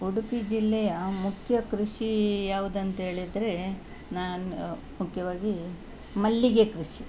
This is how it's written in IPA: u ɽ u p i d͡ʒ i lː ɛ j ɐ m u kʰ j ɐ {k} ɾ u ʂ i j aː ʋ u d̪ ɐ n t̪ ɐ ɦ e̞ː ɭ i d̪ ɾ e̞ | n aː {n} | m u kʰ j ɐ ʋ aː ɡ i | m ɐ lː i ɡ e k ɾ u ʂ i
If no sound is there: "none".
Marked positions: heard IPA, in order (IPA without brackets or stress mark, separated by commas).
k, n